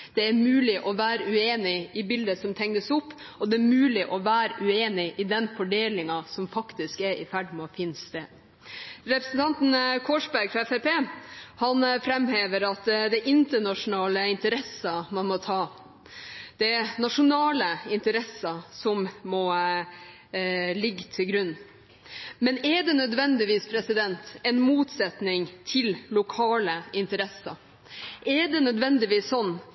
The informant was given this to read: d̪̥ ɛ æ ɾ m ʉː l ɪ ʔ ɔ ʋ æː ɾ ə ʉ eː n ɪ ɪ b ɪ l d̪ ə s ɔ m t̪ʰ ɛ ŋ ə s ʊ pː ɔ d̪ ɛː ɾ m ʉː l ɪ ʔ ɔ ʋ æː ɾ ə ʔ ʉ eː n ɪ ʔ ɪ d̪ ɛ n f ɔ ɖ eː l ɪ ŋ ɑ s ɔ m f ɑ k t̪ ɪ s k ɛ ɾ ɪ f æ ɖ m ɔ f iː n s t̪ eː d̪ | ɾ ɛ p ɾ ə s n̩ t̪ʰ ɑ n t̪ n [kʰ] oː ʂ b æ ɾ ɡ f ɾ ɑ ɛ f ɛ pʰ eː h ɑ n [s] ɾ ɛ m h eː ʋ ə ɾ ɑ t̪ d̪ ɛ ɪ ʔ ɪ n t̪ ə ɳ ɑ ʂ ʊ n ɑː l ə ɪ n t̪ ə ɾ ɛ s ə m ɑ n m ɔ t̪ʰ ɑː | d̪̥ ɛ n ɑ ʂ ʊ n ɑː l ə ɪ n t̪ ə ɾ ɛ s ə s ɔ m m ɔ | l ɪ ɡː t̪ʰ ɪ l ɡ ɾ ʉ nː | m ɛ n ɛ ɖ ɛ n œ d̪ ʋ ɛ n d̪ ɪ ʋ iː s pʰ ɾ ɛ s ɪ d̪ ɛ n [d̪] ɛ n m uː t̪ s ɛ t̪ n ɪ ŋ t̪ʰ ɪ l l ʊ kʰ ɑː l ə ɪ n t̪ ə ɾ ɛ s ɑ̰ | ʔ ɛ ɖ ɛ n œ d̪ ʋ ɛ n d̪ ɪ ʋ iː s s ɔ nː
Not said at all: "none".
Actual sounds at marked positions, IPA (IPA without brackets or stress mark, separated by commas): kʰ, f, t̪